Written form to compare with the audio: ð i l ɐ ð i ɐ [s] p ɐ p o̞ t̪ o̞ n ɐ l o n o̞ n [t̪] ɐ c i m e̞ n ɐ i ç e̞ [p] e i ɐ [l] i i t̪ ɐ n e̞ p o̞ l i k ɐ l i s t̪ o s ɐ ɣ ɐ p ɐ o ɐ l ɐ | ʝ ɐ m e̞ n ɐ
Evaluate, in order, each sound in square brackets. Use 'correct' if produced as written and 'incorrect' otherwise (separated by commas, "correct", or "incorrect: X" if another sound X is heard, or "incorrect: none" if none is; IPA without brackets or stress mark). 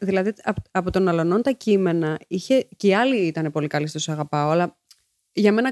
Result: incorrect: none, correct, incorrect: c, correct